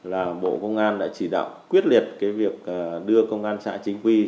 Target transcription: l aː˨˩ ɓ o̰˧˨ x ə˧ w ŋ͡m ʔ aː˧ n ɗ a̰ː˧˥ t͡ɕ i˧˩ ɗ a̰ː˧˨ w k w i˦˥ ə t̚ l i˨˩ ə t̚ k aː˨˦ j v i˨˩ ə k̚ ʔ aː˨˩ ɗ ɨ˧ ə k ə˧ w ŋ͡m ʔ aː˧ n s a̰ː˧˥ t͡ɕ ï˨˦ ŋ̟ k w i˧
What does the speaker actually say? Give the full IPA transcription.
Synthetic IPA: l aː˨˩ ɓ o̰˧˨ k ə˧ w ŋ͡m ʔ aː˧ n ɗ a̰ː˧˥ t͡ɕ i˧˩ ɗ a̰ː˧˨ w k w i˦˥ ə t̚ l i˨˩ ə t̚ k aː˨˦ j v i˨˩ ə k̚ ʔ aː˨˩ ɗ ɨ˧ ə k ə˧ w ŋ͡m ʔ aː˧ n s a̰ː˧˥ t͡ɕ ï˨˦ ŋ̟ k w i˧